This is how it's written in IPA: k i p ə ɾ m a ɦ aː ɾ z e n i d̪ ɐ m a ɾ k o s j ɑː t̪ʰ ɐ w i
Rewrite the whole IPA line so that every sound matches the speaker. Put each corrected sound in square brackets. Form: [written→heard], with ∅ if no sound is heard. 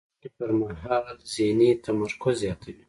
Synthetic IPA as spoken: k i p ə ɾ m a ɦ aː [ɾ→l] z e n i [d̪→t̪] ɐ m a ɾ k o [s→z] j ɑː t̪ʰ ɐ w i

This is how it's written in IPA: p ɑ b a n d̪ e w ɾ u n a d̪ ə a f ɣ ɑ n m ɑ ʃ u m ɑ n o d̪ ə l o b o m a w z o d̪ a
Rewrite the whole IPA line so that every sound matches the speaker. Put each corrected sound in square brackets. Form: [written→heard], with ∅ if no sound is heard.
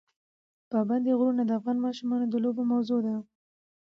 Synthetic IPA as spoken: p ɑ b a n d̪ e [w→ɣ] ɾ u n a d̪ ə a f ɣ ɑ n m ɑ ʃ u m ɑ n o d̪ ə l o b o m a w z o d̪ a

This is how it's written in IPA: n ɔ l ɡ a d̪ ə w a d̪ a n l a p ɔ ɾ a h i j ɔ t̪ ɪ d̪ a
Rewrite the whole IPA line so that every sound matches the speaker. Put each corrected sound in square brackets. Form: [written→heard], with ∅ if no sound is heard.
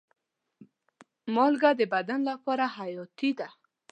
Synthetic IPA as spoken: [n→m] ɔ l ɡ a d̪ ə [w→b] a d̪ a n l a p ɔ ɾ a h [i→a] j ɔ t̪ [ɪ→i] d̪ a

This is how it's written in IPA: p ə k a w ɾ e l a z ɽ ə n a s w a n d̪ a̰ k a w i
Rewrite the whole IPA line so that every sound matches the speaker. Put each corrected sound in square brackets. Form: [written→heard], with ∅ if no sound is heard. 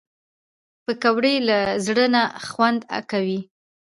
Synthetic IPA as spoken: p ə k a w [ɾ→ɽ] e l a z ɽ ə n a [s→x] w a n d̪ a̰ k a w i

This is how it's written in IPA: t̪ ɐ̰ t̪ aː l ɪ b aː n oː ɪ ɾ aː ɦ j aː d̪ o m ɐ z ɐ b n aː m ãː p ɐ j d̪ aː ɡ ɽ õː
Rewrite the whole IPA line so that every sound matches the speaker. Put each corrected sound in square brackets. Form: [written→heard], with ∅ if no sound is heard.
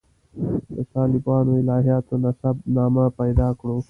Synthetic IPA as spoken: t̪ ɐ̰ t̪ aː l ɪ b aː n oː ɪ [ɾ→l] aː ɦ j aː [d̪→t̪] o [m→n] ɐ [z→s] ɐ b n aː m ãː p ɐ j d̪ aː [ɡ→k] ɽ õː

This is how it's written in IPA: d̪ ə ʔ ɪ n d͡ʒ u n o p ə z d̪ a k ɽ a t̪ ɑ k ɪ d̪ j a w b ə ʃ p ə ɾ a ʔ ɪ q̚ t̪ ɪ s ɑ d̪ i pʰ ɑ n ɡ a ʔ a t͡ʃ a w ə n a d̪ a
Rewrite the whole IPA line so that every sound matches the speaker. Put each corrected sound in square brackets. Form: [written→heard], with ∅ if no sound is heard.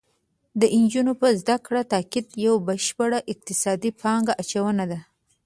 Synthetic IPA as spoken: d̪ ə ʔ ɪ n d͡ʒ u n o p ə z d̪ a k ɽ a t̪ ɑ k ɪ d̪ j a w b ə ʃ p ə [ɾ→ɽ] a ʔ ɪ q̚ t̪ ɪ s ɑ d̪ i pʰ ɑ [n→ŋ] ɡ a ʔ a t͡ʃ a w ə n a d̪ a

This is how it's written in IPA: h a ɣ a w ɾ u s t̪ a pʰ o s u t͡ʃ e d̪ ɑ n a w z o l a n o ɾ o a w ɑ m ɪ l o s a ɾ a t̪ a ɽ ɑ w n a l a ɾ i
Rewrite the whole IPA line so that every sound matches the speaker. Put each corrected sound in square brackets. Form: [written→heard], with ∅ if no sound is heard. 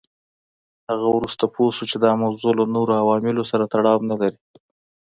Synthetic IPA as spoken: h a ɣ a w ɾ u s t̪ a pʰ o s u t͡ʃ e d̪ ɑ [n→m] a w z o l a n o ɾ o a w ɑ m ɪ l o s a ɾ a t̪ a ɽ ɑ w n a l a ɾ i

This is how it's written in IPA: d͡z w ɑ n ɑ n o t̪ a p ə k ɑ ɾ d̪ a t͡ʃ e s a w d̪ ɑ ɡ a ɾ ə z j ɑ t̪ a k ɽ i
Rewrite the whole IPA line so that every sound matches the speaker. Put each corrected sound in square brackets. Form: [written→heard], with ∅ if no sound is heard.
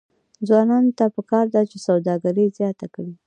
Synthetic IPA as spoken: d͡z w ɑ n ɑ n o t̪ a p ə k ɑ ɾ d̪ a t͡ʃ e s a w d̪ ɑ ɡ a ɾ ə z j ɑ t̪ a k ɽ i

